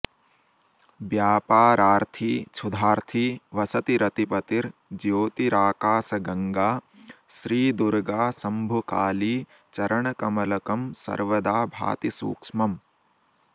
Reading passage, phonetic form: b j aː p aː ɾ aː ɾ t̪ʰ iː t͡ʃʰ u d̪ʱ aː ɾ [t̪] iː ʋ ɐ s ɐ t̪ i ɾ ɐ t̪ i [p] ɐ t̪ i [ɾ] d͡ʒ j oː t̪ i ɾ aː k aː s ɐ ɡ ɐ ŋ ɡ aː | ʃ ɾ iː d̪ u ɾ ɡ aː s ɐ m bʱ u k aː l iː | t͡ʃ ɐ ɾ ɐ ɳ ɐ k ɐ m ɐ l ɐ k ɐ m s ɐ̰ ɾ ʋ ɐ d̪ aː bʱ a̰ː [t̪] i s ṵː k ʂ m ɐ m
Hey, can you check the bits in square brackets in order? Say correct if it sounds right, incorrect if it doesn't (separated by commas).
incorrect, correct, correct, correct